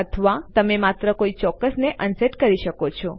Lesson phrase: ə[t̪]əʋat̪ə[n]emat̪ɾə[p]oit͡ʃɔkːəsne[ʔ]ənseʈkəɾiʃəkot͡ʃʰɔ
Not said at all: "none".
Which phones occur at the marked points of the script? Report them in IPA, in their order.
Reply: t̪ʰ, m, k, ʔ

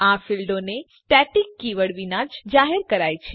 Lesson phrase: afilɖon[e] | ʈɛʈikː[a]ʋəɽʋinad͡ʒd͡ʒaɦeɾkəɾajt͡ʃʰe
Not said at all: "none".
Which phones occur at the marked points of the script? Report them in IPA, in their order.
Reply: e, i

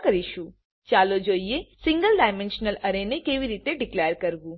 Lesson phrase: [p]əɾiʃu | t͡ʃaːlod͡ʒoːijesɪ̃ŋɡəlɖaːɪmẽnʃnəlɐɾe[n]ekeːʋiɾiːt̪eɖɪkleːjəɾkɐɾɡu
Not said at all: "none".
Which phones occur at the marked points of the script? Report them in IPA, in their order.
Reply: k, n

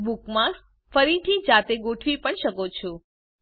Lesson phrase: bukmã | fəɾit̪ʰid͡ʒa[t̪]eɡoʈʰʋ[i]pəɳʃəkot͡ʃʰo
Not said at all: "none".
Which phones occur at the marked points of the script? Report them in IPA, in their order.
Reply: t̪, i

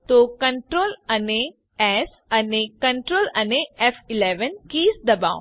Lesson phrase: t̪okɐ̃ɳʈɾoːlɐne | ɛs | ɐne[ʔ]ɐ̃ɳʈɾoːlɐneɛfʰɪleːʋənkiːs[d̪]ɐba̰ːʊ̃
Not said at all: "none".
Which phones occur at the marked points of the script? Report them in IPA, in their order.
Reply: k, d̪

